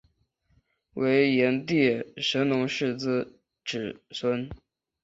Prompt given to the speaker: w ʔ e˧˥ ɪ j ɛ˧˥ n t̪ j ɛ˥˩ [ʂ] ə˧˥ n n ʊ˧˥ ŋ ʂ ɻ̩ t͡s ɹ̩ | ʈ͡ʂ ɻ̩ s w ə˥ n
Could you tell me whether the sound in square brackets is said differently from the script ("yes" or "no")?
no